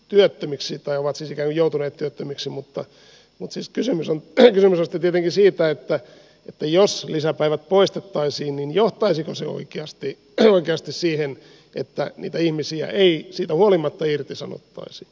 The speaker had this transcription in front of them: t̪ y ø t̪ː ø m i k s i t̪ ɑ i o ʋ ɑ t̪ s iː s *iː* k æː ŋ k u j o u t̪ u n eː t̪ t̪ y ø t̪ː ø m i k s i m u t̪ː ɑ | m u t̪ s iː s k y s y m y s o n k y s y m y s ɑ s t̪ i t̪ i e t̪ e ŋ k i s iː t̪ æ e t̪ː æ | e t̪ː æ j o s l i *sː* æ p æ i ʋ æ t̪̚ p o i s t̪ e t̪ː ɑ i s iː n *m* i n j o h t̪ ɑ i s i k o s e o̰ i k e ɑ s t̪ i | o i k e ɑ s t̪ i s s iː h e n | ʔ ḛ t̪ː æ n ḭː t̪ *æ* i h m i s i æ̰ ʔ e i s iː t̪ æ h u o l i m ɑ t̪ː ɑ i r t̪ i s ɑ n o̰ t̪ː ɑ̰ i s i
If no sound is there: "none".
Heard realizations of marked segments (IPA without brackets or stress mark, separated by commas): i, s, n, æ